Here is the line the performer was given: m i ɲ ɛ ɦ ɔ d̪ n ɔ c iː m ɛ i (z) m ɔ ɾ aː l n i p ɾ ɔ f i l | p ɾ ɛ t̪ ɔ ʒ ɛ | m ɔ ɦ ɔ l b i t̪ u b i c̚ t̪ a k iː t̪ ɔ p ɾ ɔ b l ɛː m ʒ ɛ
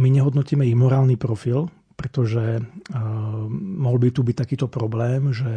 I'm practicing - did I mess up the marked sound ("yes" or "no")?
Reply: yes